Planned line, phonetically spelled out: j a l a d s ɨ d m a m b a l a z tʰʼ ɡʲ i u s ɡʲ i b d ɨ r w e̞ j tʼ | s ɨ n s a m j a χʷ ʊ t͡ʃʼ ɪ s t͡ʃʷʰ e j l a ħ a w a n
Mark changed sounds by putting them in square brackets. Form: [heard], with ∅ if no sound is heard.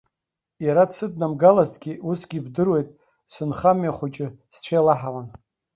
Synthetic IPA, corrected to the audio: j a [ɾ] a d s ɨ d [n] a m [ɡ] a l a z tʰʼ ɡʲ i u s ɡʲ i b d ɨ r w e̞ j tʼ | s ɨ n [χ] a m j a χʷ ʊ t͡ʃʼ ɪ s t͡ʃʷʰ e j l a ħ a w a n